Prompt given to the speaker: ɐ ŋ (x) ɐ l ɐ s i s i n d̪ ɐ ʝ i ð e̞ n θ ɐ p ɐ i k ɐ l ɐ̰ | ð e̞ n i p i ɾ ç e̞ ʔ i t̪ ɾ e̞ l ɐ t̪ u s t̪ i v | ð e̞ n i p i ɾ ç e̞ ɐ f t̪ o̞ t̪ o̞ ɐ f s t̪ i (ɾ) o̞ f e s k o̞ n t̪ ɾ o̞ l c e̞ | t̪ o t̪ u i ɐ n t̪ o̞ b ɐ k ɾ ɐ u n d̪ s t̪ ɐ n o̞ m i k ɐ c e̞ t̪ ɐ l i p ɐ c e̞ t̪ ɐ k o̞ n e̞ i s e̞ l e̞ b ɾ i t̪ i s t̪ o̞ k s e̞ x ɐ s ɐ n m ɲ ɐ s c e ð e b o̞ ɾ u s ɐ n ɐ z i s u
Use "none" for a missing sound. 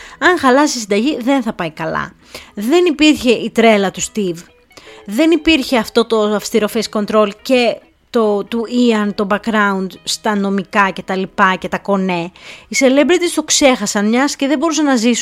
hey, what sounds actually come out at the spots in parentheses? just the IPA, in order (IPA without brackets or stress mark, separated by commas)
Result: x, ɾ